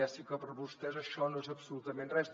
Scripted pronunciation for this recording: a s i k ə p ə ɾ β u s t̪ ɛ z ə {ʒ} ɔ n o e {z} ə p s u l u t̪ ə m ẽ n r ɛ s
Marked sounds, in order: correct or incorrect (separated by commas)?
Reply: incorrect, correct